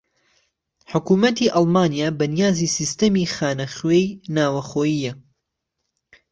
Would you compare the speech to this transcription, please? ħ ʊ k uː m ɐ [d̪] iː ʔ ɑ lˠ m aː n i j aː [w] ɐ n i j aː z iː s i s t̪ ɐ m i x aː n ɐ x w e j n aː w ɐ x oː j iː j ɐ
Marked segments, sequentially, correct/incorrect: incorrect, incorrect

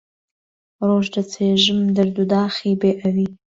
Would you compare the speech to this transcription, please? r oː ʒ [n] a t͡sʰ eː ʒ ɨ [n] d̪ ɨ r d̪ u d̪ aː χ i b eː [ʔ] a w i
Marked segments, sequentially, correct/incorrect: incorrect, incorrect, correct

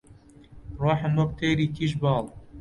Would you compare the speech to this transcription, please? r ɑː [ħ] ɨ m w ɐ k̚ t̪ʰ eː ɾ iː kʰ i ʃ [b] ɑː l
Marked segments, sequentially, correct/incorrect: correct, correct

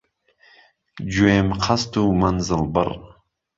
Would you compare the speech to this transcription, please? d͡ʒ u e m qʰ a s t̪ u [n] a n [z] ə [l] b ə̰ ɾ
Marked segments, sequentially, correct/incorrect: incorrect, correct, correct

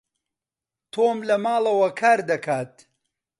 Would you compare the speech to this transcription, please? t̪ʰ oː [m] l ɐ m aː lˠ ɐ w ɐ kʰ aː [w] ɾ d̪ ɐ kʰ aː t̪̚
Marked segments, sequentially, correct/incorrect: correct, incorrect

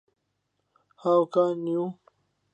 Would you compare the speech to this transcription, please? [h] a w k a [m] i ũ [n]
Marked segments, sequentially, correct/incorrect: correct, incorrect, incorrect

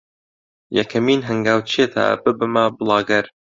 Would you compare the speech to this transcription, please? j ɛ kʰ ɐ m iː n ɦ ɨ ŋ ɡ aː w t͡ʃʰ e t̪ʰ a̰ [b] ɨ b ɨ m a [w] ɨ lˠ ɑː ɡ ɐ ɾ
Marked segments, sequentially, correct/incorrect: correct, incorrect

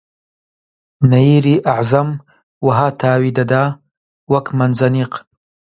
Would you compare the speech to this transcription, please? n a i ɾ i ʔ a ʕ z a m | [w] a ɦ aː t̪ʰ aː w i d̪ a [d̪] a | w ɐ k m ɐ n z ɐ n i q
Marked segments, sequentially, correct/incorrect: correct, correct

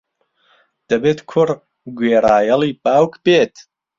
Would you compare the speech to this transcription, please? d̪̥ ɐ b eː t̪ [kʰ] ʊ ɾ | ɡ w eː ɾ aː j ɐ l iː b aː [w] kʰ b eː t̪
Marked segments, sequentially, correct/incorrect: correct, correct

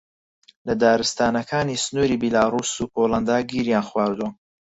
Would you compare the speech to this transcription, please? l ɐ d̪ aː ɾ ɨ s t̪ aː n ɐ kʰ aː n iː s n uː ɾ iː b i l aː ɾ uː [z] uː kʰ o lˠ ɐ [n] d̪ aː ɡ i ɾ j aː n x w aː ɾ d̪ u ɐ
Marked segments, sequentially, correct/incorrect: incorrect, correct

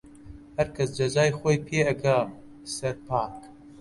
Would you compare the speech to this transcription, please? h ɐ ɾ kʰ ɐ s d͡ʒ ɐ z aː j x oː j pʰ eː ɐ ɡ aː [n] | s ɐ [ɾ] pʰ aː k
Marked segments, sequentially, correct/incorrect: incorrect, correct

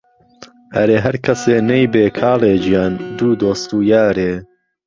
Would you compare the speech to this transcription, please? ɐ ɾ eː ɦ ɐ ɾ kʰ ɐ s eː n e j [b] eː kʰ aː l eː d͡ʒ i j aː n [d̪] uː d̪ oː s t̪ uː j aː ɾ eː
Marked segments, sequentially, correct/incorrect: correct, correct

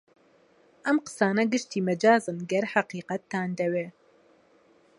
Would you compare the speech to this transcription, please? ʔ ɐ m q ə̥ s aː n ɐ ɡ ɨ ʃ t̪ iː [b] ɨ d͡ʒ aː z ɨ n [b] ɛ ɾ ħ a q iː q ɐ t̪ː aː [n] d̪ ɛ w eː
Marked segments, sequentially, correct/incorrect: incorrect, incorrect, correct

